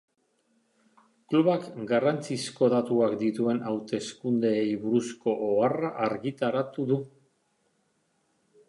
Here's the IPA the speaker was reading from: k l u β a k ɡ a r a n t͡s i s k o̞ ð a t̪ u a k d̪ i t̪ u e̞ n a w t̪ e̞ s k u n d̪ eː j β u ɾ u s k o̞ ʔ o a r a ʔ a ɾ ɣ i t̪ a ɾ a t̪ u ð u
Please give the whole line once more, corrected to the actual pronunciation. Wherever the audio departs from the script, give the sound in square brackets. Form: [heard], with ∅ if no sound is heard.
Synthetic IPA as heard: k l u β a k ɡ a r a n t͡s i s k o̞ ð a t̪ u a k d̪ i t̪ u e̞ n a w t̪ e̞ s k u n d̪ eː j β u ɾ u s k o̞ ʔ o a r a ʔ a ɾ ɣ i t̪ a ɾ a t̪ u ð u